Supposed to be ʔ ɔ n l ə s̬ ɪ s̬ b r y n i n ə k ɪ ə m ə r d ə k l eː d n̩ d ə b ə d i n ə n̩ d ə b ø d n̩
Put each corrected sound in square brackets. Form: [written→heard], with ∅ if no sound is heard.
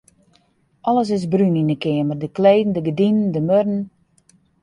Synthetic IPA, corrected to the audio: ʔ ɔ [n→∅] l ə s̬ ɪ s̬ b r y n i n ə k ɪ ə m ə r d ə k l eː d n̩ d ə [b→ɡ] ə d i n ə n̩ d ə [b→m] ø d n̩